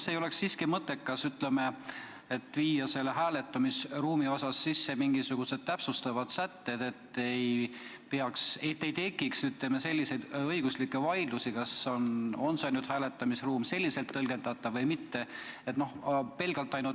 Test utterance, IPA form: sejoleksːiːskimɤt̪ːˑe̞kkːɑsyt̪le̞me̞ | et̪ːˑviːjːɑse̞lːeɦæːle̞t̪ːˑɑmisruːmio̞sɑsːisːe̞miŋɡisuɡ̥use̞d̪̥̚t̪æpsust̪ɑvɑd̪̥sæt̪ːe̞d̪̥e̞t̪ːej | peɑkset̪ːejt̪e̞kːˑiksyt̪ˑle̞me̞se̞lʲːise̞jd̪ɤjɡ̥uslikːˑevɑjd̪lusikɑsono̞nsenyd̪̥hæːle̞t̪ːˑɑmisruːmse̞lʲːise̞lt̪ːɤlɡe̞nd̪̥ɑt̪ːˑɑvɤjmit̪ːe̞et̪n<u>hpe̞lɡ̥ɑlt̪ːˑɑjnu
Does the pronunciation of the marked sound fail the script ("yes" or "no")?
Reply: yes